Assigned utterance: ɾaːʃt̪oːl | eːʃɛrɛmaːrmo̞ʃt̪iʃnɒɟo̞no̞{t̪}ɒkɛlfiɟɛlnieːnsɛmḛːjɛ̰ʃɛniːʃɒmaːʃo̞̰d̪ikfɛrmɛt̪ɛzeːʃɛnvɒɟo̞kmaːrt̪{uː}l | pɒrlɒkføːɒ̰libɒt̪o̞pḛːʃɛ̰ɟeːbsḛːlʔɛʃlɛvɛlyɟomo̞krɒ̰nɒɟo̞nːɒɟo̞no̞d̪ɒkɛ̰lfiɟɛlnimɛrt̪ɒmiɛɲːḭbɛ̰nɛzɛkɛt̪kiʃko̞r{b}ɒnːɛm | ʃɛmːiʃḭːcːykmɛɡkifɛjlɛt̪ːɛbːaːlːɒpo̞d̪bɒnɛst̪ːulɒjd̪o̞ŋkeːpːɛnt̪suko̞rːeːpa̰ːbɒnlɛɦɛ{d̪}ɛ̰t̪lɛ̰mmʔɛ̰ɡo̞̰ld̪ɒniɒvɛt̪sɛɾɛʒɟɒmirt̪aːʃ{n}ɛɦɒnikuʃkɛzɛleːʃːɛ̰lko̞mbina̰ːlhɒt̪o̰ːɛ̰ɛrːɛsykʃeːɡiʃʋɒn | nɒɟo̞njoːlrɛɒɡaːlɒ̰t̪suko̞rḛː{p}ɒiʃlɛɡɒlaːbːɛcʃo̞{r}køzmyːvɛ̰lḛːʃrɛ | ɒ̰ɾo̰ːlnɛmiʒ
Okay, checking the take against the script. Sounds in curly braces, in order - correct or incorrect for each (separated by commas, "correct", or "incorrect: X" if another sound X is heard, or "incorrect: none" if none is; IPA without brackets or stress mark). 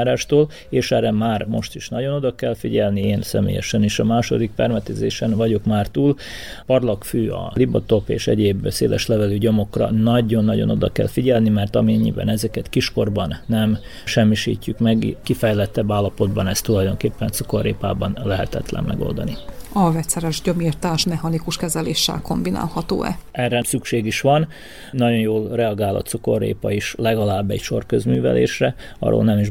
incorrect: d̪, correct, correct, incorrect: t̪, incorrect: m, correct, correct